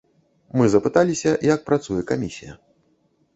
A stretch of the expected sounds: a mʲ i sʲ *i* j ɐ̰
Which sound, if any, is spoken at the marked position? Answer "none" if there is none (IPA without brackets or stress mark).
i